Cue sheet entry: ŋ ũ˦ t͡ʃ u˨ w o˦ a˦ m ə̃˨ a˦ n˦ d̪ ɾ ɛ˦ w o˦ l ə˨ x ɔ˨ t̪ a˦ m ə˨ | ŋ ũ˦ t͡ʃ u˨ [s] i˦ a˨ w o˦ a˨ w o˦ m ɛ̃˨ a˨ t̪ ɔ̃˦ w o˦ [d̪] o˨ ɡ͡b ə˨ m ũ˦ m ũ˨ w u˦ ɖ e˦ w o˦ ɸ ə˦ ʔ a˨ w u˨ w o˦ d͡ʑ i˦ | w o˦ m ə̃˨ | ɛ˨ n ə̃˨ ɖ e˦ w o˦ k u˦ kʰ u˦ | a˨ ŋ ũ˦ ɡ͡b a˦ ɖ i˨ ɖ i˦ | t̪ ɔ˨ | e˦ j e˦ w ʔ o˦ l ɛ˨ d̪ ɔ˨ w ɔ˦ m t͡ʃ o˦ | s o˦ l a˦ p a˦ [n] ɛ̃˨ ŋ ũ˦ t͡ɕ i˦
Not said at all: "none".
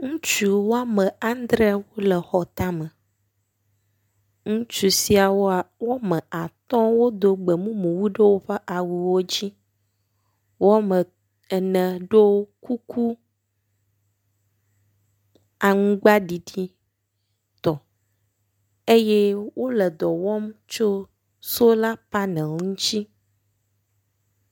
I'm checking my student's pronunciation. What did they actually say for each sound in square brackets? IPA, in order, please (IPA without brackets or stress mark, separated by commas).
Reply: s, d̪, n